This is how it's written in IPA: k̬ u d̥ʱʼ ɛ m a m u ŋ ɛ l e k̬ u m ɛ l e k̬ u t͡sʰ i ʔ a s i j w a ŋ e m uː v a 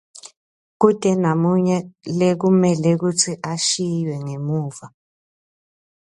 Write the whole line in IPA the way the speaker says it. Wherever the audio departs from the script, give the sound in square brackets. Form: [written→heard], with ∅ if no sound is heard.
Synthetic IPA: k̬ u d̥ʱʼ ɛ [m→n] a m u [ŋ→ɲ] ɛ l e k̬ u m ɛ l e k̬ u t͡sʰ i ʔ a [s→ʃ] i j w [a→ɛ] ŋ e m uː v a